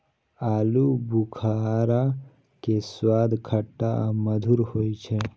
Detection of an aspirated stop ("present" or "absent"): present